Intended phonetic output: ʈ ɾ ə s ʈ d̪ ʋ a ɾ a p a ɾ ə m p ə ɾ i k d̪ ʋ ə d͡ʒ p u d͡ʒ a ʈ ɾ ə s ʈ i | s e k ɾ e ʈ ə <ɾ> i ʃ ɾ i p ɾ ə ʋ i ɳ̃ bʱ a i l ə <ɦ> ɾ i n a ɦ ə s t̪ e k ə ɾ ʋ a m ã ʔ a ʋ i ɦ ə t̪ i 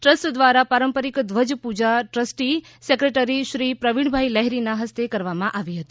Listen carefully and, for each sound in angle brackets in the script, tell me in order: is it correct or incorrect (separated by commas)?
correct, correct